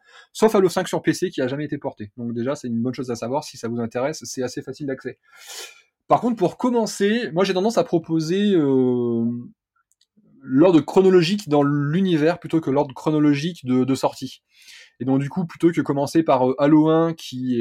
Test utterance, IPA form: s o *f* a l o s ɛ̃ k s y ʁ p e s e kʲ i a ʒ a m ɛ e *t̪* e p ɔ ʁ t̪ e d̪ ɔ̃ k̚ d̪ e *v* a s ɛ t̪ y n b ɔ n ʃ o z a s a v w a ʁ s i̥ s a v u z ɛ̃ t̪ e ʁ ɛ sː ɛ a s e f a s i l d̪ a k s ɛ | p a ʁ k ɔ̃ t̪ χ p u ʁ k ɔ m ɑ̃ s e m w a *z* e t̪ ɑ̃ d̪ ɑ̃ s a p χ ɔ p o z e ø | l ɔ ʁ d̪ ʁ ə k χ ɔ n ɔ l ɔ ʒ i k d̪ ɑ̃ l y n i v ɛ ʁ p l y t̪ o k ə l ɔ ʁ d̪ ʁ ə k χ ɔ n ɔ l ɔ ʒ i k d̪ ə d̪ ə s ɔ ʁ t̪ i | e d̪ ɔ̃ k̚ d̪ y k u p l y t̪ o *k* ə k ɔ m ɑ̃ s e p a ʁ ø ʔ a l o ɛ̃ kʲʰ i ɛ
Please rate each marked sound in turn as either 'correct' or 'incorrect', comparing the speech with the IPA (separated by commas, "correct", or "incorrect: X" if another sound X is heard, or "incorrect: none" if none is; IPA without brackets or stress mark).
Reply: correct, correct, incorrect: ʒ, incorrect: ʒ, correct